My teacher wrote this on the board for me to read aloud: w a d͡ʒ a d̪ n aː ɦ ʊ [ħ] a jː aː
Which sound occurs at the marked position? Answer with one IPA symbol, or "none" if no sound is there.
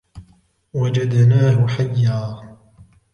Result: ħ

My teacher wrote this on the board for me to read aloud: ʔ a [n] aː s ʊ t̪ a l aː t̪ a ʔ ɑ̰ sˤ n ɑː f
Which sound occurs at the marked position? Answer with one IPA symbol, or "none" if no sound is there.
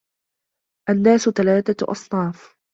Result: nː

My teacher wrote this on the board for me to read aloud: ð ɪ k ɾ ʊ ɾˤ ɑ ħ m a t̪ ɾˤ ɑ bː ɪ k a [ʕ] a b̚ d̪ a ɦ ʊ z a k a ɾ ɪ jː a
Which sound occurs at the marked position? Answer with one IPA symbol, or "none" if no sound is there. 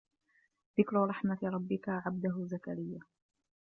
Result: ʕ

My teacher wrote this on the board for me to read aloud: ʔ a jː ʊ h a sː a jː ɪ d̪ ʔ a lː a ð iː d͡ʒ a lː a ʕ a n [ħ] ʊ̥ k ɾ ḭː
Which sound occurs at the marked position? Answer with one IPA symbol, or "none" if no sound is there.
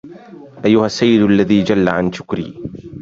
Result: ʃ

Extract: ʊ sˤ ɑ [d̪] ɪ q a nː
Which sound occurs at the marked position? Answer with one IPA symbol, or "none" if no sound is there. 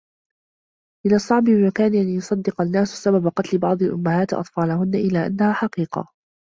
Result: d̪ː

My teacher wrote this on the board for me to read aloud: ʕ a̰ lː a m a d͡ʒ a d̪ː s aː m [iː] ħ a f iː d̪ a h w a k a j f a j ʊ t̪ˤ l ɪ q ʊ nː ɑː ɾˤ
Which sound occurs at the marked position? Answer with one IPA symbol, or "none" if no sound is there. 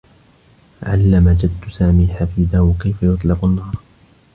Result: iː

